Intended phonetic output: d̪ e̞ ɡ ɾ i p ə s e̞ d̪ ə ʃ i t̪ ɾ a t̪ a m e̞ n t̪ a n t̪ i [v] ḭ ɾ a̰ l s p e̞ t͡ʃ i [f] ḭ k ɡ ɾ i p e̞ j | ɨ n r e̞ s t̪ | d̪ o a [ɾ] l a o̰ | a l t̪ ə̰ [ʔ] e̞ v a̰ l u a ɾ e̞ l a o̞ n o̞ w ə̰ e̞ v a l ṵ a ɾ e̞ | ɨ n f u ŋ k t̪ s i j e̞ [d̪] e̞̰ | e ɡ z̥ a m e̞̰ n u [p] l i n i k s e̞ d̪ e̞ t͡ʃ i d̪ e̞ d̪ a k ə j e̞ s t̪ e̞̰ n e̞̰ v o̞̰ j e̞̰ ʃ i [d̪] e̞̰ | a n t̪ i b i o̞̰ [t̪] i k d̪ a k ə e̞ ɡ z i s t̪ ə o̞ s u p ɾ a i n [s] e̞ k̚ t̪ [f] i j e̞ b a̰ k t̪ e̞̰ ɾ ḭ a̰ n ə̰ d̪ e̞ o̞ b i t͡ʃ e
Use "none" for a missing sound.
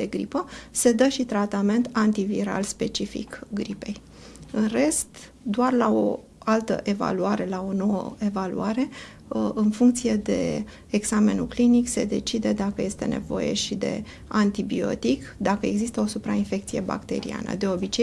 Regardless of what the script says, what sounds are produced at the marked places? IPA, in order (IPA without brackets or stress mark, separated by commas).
v, f, r, ʔ, d̪, k, d̪, t̪, f, s